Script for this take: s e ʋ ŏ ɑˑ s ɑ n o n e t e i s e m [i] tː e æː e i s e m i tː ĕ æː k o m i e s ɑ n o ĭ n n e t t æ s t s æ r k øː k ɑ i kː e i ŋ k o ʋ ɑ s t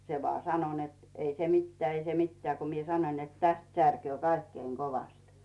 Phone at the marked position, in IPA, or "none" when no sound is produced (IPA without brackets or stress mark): i